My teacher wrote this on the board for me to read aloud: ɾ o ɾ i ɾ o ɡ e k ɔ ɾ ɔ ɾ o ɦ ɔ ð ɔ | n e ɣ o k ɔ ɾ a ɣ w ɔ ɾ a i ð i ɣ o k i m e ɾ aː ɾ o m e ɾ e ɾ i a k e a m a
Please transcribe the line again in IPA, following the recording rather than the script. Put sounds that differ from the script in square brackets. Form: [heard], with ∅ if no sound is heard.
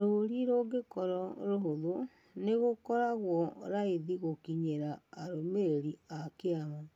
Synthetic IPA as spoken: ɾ o ɾ i ɾ o ɡ e k ɔ ɾ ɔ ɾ o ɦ [o] ð [o] | n e ɣ o k ɔ ɾ a ɣ w ɔ ɾ a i ð i ɣ o k i [ɲ] e ɾ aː ɾ o m e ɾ e ɾ i a k e a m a